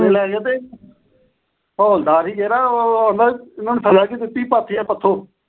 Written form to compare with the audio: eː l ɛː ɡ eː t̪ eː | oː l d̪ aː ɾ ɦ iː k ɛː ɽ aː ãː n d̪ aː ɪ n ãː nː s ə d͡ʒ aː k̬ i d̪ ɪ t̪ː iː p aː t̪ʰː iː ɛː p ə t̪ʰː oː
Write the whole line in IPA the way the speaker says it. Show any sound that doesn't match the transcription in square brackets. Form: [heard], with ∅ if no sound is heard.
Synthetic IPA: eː l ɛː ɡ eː t̪ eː | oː l d̪ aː ɾ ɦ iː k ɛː [ɾ] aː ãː n d̪ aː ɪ n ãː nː s ə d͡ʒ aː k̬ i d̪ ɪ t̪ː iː p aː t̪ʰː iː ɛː p ə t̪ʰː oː